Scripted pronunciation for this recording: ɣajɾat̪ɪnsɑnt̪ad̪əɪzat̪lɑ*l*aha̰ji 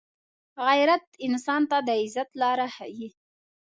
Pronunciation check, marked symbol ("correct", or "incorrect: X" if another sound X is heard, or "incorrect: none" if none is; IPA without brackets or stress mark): incorrect: ɾ